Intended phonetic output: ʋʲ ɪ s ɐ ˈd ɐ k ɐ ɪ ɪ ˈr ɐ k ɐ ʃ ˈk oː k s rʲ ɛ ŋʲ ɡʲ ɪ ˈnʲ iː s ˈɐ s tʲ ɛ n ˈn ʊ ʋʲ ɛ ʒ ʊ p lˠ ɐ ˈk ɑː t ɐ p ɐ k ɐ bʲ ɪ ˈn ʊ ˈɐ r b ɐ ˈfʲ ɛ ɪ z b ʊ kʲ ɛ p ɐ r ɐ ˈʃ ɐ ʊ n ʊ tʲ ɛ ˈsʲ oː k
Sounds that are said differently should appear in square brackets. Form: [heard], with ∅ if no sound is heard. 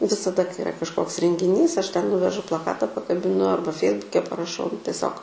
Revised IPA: ʋʲ ɪ s ɐ ˈd ɐ k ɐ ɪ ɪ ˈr ɐ k ɐ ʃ ˈk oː k s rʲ ɛ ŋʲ ɡʲ ɪ ˈnʲ iː s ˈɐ [ʃ] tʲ ɛ n ˈn ʊ ʋʲ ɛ ʒ ʊ p lˠ ɐ ˈk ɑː t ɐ p ɐ k ɐ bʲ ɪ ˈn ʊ ˈɐ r b ɐ ˈfʲ ɛ ɪ z b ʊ kʲ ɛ p ɐ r ɐ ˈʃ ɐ ʊ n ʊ tʲ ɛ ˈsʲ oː k